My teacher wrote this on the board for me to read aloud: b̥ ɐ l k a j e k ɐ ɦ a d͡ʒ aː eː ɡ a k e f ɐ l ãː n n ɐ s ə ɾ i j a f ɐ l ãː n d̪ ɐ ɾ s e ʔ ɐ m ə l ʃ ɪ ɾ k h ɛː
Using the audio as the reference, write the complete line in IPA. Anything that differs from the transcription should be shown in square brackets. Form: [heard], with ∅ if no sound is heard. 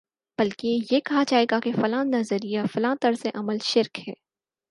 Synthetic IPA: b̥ ɐ l k [e] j e k ɐ ɦ a d͡ʒ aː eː ɡ a k e f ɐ l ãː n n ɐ [z] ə ɾ i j a f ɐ l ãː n [t̪] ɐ ɾ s e ʔ ɐ m ə l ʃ ɪ ɾ k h ɛː